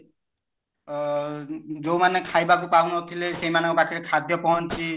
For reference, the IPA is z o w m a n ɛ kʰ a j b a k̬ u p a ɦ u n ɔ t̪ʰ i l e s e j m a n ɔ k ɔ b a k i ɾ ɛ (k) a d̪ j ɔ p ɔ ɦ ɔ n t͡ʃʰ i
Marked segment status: incorrect: kʰ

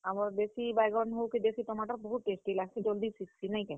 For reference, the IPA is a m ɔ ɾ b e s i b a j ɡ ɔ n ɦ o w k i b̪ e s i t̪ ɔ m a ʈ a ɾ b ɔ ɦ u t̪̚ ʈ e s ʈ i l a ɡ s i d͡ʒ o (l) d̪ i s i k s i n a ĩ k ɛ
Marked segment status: correct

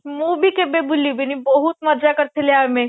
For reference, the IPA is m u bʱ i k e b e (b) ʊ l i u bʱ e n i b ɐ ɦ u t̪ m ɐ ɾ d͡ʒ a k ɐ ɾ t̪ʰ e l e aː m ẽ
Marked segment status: correct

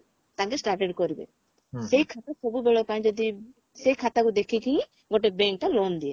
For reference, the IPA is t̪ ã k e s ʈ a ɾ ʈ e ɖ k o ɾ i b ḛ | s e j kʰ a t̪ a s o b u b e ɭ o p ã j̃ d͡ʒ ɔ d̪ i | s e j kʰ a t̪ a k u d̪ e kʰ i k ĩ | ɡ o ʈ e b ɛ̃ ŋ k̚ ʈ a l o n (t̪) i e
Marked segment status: incorrect: d̪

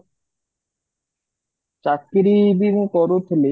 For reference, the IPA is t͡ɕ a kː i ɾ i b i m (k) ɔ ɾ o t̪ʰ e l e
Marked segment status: correct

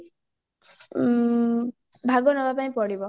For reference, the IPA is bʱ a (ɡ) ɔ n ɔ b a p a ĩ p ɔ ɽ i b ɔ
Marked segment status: correct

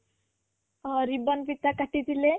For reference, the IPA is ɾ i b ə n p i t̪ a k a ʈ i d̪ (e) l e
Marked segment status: incorrect: i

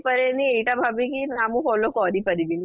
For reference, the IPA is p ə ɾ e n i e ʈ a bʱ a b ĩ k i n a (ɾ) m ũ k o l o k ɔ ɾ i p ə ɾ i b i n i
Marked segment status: incorrect: none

